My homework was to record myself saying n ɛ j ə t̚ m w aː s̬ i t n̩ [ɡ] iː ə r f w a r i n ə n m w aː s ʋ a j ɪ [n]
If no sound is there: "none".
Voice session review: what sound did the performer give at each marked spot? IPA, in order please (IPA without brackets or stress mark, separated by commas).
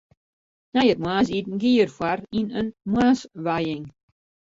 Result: ɡ, ŋ